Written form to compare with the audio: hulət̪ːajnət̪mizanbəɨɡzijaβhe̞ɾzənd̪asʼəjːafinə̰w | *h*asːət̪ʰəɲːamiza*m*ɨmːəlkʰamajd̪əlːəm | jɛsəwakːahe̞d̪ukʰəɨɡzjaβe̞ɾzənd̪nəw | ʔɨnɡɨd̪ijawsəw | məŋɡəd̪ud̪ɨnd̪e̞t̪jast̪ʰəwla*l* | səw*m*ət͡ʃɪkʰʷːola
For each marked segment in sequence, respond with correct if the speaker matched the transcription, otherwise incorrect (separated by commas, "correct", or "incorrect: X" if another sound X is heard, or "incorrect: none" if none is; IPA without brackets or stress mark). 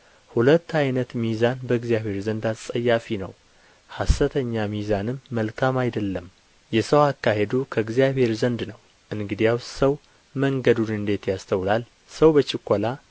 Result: correct, incorrect: n, correct, incorrect: b